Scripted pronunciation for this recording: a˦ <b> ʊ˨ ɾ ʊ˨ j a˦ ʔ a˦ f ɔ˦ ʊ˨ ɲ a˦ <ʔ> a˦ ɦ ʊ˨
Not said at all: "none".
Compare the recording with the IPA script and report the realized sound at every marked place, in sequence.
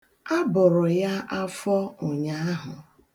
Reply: b, none

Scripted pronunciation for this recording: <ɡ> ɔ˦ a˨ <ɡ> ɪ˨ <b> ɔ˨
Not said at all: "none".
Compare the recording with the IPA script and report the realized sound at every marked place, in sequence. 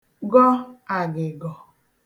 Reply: ɡ, ɡ, ɡ

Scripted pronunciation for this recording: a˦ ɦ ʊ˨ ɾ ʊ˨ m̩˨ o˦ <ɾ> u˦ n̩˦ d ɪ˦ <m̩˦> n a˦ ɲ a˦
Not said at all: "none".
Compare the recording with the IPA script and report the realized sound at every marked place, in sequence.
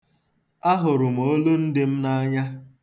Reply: l, m̩˦

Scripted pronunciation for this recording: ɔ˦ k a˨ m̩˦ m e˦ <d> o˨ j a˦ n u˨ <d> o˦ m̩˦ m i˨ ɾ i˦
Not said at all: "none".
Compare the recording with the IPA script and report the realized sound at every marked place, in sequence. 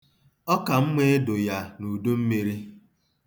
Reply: d, d

